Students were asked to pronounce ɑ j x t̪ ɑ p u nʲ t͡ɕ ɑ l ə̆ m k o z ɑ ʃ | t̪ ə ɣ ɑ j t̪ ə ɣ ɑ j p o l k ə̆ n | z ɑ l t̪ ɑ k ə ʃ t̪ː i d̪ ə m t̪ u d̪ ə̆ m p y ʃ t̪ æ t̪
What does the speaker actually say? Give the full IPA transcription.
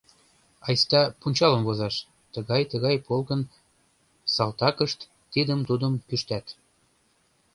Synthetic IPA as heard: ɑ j s t̪ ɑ p u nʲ t͡ɕ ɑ l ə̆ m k o z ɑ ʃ | t̪ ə ɣ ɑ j t̪ ə ɣ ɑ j p o l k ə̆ n | s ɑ l t̪ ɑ k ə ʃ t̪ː i d̪ ə m t̪ u d̪ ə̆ m p y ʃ t̪ æ t̪